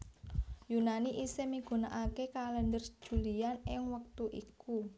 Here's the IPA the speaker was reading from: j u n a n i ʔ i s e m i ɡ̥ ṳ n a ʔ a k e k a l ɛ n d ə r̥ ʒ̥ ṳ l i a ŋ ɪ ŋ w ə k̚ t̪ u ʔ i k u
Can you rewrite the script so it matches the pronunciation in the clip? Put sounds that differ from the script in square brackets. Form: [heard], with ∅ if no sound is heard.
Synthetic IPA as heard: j u n a n i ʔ i s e m i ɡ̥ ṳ n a ʔ a k e k a l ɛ n d ə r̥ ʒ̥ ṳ l i a [n] ɪ ŋ w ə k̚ t̪ u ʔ i k u